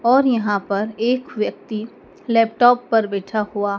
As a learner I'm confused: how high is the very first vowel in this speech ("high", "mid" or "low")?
mid